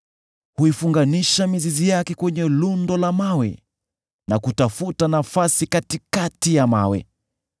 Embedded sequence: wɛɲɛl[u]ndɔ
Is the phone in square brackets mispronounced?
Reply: no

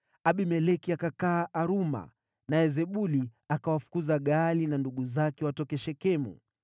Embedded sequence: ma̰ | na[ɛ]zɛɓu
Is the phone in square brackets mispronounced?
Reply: no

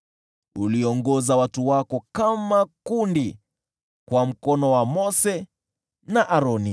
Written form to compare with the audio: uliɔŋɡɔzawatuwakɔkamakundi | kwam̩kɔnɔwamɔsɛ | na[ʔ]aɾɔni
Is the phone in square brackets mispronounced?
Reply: no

